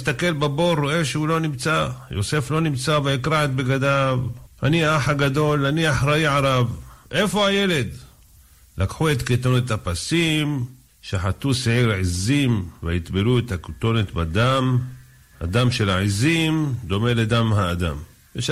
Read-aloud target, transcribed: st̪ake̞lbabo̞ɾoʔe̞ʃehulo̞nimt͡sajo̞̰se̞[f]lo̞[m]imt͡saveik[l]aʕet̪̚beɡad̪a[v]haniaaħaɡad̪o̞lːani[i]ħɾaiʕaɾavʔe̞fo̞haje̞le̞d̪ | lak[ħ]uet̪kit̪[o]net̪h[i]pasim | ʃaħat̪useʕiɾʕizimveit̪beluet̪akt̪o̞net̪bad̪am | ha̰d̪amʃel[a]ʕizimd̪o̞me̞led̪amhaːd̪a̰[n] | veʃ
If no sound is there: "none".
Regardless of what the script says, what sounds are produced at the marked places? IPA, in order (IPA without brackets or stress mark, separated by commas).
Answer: f, n, ɾ, v, a, ħ, o, a, a, m